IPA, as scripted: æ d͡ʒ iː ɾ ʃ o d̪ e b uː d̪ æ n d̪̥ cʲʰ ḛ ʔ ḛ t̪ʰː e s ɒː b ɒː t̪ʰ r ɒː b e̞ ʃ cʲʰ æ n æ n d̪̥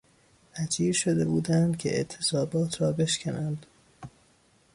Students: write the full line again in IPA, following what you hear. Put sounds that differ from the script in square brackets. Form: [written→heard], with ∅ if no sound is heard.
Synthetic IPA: æ d͡ʒ iː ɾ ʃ o d̪ e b uː d̪ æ n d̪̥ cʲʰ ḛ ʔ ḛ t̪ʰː e s ɒː b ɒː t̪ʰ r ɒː b e̞ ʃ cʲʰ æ n æ n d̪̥